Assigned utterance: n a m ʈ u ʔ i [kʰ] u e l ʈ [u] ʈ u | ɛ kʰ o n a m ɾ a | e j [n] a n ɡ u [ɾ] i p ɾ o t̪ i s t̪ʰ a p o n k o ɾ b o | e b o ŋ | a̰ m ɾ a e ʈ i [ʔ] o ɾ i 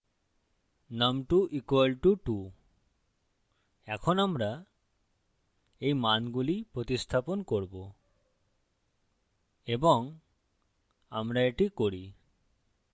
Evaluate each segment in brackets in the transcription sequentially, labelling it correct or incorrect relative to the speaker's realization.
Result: incorrect: k, correct, incorrect: m, incorrect: l, incorrect: k

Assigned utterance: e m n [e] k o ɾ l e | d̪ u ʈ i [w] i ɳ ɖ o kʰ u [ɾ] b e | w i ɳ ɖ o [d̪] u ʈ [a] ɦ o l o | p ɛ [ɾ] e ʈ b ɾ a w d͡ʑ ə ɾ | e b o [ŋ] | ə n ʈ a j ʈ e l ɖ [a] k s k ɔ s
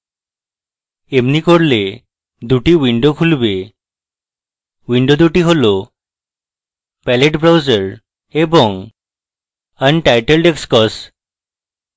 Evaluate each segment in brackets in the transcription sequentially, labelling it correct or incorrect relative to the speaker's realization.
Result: incorrect: i, correct, incorrect: l, correct, incorrect: i, incorrect: l, correct, incorrect: e

